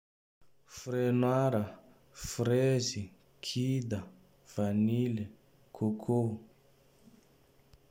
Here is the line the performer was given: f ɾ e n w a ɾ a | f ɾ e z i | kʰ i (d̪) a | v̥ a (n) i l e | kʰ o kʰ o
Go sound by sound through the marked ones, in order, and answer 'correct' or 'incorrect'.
correct, correct

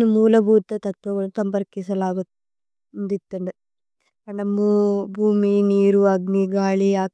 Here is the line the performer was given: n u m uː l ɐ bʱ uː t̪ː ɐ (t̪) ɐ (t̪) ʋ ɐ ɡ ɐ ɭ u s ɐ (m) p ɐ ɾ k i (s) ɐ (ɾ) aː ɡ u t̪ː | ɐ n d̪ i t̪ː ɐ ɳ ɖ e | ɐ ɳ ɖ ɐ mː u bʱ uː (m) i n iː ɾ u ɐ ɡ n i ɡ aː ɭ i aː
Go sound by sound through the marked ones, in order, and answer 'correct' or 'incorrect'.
correct, correct, correct, correct, incorrect, correct

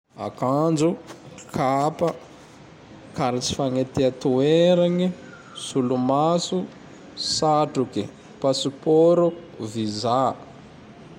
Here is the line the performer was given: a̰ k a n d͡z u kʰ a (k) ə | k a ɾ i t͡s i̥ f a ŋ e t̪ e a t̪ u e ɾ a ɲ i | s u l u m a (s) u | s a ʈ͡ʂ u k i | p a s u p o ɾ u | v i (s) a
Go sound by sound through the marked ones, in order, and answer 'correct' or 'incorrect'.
incorrect, correct, incorrect

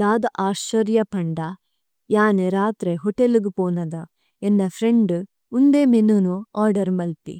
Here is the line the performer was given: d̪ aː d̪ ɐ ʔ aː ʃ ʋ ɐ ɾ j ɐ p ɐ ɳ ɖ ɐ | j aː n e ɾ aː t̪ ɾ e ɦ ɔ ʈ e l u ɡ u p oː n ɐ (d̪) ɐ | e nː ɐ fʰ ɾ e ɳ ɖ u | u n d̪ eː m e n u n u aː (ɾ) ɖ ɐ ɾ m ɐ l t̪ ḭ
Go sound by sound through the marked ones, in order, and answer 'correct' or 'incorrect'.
correct, correct

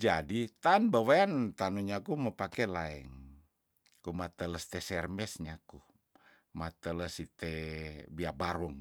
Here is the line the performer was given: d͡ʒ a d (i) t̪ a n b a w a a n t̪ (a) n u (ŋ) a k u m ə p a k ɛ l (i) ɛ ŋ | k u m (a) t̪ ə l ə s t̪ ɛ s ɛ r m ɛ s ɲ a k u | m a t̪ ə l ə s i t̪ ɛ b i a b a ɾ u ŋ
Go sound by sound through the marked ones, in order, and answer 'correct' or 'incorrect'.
correct, correct, incorrect, incorrect, correct

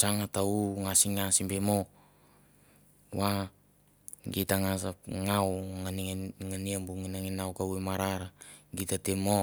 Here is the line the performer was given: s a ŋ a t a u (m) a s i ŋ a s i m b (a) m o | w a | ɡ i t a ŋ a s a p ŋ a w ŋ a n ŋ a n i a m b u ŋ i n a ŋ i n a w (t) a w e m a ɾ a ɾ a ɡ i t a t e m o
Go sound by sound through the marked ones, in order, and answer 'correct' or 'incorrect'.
incorrect, incorrect, incorrect

